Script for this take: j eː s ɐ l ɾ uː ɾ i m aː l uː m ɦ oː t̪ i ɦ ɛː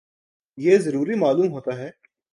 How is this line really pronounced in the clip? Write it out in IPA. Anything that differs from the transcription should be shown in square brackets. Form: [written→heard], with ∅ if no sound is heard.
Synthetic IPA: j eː [s→z] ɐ [l→∅] ɾ uː ɾ i m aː l uː m ɦ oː t̪ [i→a] ɦ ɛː